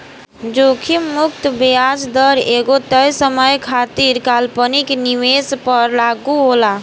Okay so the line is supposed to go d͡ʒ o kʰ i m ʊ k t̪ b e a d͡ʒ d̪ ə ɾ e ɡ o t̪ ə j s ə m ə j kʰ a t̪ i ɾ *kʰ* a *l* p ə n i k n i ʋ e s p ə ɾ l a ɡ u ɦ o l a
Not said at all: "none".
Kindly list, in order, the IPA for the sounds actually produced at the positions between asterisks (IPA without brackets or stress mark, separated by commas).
k, l